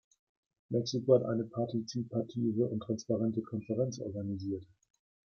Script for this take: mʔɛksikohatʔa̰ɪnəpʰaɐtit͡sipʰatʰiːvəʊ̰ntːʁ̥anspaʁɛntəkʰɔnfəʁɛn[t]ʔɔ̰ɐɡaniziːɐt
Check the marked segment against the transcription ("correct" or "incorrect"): incorrect